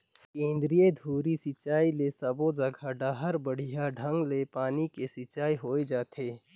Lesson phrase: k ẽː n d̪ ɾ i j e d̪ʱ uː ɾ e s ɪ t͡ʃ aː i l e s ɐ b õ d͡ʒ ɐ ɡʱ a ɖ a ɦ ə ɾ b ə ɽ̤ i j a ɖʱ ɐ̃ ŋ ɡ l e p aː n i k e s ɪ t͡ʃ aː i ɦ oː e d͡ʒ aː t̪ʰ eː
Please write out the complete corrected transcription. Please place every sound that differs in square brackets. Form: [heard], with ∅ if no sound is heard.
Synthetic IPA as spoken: k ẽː n d̪ ɾ i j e d̪ʱ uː ɾ [i] s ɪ t͡ʃ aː i l e s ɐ b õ d͡ʒ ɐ ɡʱ a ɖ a ɦ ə ɾ b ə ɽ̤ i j a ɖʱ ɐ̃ ŋ ɡ l e p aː n i k e s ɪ t͡ʃ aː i ɦ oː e d͡ʒ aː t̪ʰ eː